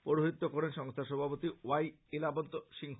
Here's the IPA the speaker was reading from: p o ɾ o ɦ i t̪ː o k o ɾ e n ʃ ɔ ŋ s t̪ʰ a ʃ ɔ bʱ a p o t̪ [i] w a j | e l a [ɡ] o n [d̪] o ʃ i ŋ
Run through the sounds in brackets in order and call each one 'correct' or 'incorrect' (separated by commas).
correct, incorrect, incorrect